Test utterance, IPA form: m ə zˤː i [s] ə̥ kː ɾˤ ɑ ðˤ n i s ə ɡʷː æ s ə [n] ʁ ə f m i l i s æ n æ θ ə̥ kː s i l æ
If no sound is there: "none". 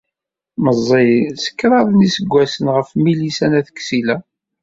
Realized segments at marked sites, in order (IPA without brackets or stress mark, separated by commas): s, n